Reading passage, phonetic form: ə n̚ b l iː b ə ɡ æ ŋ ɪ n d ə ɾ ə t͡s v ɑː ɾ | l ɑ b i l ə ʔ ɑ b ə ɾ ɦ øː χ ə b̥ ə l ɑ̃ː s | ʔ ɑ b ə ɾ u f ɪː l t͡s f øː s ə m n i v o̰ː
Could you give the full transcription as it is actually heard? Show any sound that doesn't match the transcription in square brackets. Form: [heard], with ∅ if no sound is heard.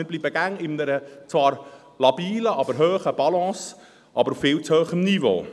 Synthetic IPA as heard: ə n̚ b l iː b ə ɡ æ ŋ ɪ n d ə ɾ ə t͡s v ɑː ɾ | l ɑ b [iː] l ə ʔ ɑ b ə ɾ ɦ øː χ ə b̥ [ɑ] l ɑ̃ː s | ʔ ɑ b ə ɾ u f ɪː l t͡s [h] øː [χ] ə m n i v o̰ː